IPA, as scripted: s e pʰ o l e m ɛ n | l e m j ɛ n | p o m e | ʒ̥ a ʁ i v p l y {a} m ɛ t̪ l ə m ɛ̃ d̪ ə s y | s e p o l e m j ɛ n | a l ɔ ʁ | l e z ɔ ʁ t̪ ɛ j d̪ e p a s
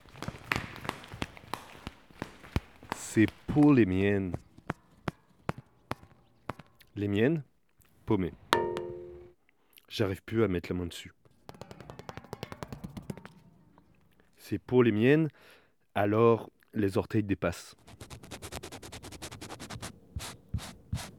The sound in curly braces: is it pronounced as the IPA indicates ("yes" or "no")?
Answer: yes